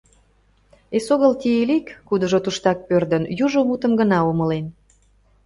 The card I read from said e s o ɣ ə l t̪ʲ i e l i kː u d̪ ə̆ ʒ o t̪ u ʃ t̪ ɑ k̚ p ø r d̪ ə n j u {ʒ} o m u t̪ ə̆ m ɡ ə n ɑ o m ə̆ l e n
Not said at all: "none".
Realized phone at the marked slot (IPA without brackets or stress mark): ʒ